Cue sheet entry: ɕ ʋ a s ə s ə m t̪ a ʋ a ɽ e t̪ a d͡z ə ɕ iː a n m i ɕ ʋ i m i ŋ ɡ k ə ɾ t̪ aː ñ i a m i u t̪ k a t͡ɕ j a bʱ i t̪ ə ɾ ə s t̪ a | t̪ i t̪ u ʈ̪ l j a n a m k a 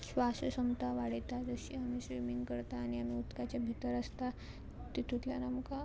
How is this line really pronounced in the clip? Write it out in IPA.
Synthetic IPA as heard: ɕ ʋ a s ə s ə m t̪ a ʋ a ɽ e t̪ a d͡z ə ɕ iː a m i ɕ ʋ i m i ŋ ɡ k ə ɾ t̪ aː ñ i a m i u t̪ k a t͡ɕ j a bʱ i t̪ ə ɾ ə s t̪ a | t̪ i t̪ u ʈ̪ l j a n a m k a

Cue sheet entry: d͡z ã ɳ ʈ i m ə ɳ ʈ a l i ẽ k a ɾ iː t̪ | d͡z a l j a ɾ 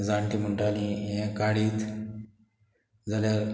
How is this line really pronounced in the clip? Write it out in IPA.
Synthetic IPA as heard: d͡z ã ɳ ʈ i m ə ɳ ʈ a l i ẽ k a ɽ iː t̪ | d͡z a l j a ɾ

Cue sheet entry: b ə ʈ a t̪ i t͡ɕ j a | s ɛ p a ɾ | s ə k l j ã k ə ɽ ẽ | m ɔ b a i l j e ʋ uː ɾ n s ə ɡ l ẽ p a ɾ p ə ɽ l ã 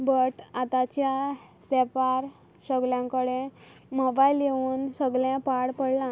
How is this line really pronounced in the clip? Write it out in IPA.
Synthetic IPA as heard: b ə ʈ a t̪ a t͡ɕ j a | s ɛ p a ɾ | s ə ɡ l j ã k ə ɽ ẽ | m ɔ b a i l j e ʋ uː n s ə ɡ l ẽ p a ɽ p ə ɽ l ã

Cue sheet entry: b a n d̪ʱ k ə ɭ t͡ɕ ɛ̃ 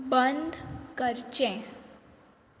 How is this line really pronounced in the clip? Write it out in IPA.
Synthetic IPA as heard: b ə n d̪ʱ k ə ɾ t͡ɕ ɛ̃

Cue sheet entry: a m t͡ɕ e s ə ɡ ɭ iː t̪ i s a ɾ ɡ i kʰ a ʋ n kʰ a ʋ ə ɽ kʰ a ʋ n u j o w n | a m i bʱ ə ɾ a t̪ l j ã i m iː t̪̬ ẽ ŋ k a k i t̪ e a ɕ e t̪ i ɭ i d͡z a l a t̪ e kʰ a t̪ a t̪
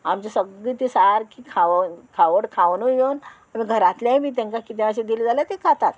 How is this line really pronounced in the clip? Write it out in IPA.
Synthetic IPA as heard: a m t͡ɕ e s ə ɡ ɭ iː t̪ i s a ɾ k i kʰ a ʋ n kʰ a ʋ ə ɽ kʰ a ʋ n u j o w n | a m i ɡʱ ə ɾ a t̪ l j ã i m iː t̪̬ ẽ ŋ k a k i t̪ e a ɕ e d̪ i l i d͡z a l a t̪ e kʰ a t̪ a t̪

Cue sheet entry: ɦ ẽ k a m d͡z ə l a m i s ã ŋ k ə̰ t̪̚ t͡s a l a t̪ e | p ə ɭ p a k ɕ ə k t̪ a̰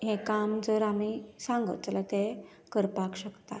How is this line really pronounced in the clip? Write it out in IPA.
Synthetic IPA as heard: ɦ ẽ k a m d͡z ə ɾ a m i s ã ŋ ɡ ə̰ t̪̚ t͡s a l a t̪ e | k ə ɾ p a k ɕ ə k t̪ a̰

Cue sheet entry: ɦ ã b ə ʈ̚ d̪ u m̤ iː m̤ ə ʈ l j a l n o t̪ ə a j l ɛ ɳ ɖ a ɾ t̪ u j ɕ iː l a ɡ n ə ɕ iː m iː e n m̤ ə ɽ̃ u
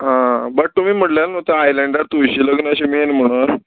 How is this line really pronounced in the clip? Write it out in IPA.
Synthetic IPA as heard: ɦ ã b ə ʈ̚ t̪ u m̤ iː m̤ ə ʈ l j a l n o t̪ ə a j l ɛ ɳ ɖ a ɾ t̪ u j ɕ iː l ə ɡ n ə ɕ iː m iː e n m̤ ə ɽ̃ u

